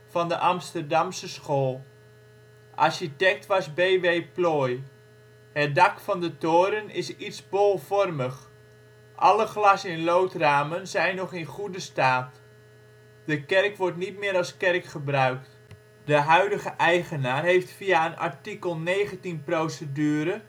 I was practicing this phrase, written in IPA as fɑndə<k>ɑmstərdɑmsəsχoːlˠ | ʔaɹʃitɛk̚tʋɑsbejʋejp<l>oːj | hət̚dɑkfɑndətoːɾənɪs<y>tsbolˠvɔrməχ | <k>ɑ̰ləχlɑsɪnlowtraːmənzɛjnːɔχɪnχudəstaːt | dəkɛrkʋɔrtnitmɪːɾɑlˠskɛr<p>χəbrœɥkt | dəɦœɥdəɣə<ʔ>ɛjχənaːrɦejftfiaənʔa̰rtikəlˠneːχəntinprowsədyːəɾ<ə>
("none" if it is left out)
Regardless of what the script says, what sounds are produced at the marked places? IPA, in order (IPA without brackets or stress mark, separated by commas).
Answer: ʔ, l, i, ʔ, k, ʔ, ə